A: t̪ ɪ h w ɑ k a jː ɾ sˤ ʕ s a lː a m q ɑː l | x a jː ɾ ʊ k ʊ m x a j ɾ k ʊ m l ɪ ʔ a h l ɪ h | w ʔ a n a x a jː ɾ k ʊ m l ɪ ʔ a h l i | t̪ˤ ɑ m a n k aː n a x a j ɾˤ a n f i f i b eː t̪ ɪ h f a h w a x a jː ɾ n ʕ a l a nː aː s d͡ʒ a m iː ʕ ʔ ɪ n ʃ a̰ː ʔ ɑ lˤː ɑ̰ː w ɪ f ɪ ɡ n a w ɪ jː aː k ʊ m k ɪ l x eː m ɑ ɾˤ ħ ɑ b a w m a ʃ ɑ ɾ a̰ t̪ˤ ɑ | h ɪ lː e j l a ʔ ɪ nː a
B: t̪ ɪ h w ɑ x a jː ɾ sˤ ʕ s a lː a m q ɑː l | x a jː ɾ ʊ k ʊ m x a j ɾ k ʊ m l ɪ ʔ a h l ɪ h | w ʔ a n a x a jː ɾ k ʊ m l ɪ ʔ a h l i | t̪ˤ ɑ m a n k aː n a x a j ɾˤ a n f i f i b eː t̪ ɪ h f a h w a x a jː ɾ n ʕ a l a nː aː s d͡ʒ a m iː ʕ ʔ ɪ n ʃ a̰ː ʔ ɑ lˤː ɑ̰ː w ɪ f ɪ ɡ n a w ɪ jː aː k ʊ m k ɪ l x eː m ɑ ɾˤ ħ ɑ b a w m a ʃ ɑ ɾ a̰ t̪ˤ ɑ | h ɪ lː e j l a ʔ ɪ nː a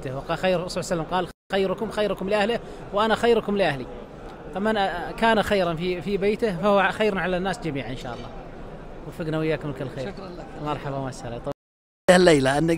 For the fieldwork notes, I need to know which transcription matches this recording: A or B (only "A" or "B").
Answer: B